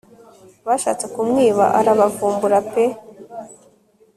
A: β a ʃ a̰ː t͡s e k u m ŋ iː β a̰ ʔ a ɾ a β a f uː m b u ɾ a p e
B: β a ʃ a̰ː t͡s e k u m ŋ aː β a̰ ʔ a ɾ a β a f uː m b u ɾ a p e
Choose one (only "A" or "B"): A